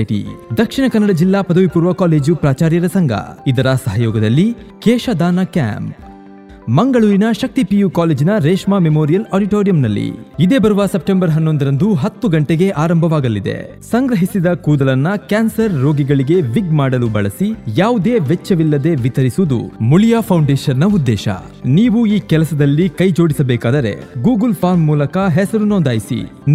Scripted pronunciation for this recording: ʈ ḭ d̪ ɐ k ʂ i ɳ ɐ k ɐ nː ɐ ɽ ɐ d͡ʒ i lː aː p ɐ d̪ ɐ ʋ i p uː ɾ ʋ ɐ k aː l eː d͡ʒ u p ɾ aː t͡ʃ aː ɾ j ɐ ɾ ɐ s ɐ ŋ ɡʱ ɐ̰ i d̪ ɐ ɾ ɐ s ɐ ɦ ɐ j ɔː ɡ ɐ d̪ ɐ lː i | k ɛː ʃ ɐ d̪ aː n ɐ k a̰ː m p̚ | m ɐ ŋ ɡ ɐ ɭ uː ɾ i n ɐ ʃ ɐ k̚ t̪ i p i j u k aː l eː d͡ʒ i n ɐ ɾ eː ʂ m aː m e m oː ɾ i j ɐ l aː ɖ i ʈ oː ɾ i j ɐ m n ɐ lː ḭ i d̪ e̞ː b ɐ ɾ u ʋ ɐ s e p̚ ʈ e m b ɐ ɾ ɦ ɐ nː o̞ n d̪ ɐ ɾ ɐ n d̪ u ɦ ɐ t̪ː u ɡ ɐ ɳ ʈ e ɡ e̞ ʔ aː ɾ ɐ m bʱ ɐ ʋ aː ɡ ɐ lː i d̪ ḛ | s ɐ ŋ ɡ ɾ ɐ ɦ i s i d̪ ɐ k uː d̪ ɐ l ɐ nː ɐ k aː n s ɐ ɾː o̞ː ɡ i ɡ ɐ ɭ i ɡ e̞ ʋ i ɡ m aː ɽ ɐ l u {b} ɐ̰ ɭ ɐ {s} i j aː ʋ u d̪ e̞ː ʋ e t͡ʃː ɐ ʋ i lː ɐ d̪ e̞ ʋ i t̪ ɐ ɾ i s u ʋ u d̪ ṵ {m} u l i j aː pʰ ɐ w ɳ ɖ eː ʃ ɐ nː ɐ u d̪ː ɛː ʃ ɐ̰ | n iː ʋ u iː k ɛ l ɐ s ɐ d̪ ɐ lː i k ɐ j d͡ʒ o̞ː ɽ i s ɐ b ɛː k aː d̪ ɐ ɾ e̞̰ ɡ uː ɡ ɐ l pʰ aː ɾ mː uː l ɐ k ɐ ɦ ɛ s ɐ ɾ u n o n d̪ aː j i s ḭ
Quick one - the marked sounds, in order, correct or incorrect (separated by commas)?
correct, correct, correct